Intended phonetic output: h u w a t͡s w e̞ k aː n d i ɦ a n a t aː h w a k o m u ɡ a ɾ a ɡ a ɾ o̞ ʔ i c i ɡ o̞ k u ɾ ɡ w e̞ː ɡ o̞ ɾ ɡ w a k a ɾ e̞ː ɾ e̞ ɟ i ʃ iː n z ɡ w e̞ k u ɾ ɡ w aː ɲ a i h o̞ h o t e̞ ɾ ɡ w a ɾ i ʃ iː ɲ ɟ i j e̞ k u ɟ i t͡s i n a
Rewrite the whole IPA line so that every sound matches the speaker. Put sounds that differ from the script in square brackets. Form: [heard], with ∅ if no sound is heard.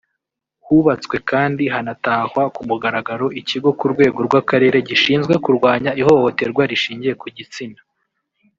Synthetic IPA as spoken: h u [β] a t͡s w e̞ k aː n d i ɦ a n a t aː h w a k [u] m u ɡ a ɾ a ɡ a ɾ o̞ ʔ i c i ɡ o̞ k u ɾ ɡ w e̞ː ɡ o̞ ɾ ɡ w a k a ɾ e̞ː ɾ e̞ ɟ i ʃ iː n z ɡ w e̞ k u ɾ ɡ w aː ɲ a i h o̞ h o t e̞ ɾ ɡ w a ɾ i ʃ iː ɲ ɟ i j e̞ k u ɟ i t͡s i n a

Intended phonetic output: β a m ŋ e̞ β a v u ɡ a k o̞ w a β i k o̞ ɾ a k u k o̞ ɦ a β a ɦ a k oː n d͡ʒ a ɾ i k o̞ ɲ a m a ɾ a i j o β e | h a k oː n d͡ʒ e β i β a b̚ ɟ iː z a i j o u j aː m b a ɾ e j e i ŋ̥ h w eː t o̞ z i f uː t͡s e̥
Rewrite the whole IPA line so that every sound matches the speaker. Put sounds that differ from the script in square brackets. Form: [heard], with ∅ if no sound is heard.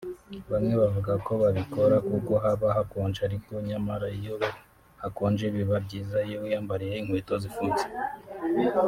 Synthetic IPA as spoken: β a m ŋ e̞ β a v u ɡ a k o̞ [β] a β i k o̞ ɾ a k u k o̞ ɦ a β a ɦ a k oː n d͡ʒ a ɾ i k o̞ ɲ a m a ɾ a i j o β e | h a k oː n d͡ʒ e β i β a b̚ ɟ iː z a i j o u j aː m b a ɾ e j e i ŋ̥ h w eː t o̞ z i f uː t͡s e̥

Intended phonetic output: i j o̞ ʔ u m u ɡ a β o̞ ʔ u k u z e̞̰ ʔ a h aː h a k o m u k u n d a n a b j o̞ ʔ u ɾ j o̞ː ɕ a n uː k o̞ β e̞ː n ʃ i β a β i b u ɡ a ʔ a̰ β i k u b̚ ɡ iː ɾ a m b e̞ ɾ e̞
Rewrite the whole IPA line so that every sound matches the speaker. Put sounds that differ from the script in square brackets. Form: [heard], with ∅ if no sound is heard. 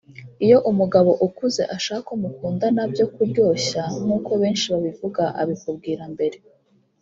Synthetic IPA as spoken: i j o̞ ʔ u m u ɡ a β o̞ ʔ u k u z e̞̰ ʔ a [ʃ] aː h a k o m u k [uː] n d a n a b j o̞ [k] u ɾ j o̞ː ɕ a n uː k o̞ β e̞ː n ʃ i β a β i [v] u ɡ a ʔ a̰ β i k u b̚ ɡ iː ɾ a m b e̞ ɾ e̞

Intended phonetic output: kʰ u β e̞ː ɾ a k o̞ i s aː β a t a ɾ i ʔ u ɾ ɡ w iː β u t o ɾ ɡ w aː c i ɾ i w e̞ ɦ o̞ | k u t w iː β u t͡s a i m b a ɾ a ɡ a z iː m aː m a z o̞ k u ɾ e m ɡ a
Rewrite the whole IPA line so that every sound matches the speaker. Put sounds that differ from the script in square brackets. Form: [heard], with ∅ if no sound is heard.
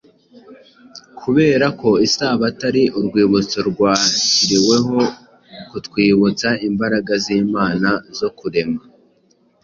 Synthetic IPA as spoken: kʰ u β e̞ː ɾ a k o̞ i s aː β a t a ɾ i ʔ u ɾ ɡ w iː β u [t͡s] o ɾ ɡ w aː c i ɾ i w e̞ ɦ o̞ | k u t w iː β u t͡s a i m b a ɾ a ɡ a z iː m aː [n] a z o̞ k u ɾ e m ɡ a

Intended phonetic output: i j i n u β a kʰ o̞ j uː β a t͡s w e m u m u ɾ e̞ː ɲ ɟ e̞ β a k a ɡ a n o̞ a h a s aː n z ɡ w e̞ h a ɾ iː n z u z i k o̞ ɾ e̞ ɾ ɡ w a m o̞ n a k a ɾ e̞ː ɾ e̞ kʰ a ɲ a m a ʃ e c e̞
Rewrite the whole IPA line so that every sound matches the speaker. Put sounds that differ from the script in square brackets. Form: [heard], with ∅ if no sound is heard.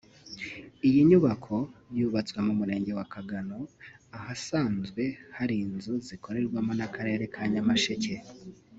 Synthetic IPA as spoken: i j i [ɲ] u β a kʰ o̞ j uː β a t͡s w e m u m u ɾ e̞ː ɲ ɟ e̞ [w] a k a ɡ a n o̞ a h a s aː n z ɡ w e̞ h a ɾ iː n z u z i k o̞ ɾ e̞ ɾ ɡ w a m o̞ n a k a ɾ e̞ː ɾ e̞ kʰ a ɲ a m a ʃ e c e̞

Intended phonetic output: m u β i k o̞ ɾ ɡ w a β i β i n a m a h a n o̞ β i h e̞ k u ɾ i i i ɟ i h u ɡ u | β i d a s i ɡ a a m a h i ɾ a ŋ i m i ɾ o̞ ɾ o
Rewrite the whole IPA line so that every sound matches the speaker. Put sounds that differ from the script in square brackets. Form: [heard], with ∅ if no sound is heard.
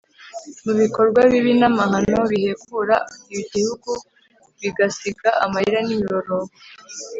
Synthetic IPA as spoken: m u β i k o̞ ɾ ɡ w a β i β i n a m a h a n o̞ β i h e̞ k u ɾ [a] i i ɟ i h u ɡ u | β i [ɡ] a s i ɡ a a m a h i ɾ a [n] i m i ɾ o̞ ɾ o

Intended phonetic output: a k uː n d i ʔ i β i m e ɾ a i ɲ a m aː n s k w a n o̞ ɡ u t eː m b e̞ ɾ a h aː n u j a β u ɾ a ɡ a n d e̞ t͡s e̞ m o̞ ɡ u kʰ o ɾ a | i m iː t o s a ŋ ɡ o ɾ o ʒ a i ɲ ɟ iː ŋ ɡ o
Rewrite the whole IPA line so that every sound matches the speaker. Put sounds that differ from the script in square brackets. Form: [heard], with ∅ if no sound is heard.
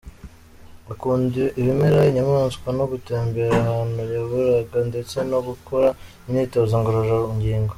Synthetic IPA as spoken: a k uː n d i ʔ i β i m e ɾ a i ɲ a m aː n s k w a n o̞ ɡ u t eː m b e̞ ɾ a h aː n u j a β u ɾ a ɡ a n d e̞ t͡s e̞ [n] o̞ ɡ u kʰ o ɾ a | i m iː t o [z] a ŋ ɡ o ɾ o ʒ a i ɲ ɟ iː ŋ ɡ o

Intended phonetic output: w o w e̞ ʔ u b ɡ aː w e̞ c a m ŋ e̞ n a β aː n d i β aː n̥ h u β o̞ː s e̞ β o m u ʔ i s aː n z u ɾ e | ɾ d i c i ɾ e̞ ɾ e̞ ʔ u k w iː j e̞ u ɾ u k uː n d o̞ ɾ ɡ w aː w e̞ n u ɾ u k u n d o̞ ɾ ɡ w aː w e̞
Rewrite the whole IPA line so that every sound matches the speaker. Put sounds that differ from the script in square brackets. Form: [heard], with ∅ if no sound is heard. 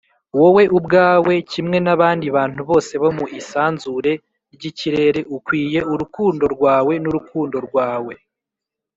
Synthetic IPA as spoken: w o w e̞ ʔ u b ɡ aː w e̞ c [i] m ŋ e̞ n a β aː n d i β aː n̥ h u β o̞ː s e̞ β o m u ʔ i s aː n z u ɾ e | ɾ [ɟ] i c i ɾ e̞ ɾ e̞ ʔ u k w iː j e̞ u ɾ u k uː n d o̞ ɾ ɡ w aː w e̞ n u ɾ u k [uː] n d o̞ ɾ ɡ w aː w e̞

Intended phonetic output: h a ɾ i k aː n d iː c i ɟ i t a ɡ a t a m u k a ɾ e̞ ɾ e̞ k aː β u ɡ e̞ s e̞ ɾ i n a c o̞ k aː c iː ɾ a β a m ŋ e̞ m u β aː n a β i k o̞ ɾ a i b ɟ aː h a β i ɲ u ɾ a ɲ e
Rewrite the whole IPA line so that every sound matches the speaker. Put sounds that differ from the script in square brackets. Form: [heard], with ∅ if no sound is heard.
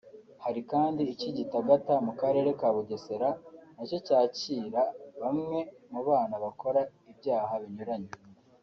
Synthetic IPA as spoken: h a ɾ i k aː n d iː c i ɟ i t a ɡ a t a m u k a ɾ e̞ ɾ e̞ k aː β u ɡ e̞ s e̞ ɾ [a] n a c o̞ [c] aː c iː ɾ a β a m ŋ e̞ m u β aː n a β [a] k o̞ ɾ a i b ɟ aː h a β i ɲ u ɾ a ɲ e

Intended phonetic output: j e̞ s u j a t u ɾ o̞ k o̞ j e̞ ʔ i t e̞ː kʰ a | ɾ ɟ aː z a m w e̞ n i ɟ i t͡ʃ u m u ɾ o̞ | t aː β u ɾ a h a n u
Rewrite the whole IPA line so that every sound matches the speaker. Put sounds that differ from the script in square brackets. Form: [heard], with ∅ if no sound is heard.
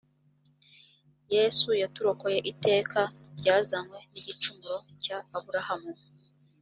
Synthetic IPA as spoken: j e̞ s u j a t u ɾ o̞ k o̞ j e̞ ʔ i t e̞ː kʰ a | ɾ ɟ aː z a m w e̞ n i ɟ i t͡ʃ u m u ɾ o̞ | [c] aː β u ɾ a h a [m] u

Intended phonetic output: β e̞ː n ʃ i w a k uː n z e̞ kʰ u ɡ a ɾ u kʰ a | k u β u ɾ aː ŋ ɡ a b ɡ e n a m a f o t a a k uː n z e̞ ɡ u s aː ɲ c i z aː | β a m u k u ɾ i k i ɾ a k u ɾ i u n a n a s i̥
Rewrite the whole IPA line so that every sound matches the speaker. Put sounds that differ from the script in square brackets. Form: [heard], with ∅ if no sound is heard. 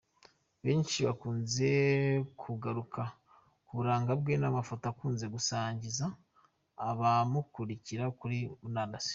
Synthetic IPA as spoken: β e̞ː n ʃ i [β] a k uː n z e̞ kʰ u ɡ a ɾ u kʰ a | k u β u ɾ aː ŋ ɡ a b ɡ e n a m a f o t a a k uː n z e̞ ɡ u s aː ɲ [ɟ] i z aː | β a m u k u ɾ i [c] i ɾ a k u ɾ i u n a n a s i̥

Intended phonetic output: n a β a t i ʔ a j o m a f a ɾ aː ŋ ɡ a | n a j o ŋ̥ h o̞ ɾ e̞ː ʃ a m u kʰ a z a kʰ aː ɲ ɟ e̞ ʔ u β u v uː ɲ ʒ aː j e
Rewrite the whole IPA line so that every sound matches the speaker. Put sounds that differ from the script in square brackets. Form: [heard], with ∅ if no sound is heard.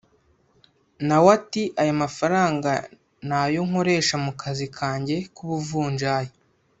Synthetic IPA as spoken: n a [w] a t i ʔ a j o m a f a ɾ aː ŋ ɡ a | n a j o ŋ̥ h o̞ ɾ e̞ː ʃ a m u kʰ a z [i] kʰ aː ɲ ɟ e̞ [k] u β u v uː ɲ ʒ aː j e

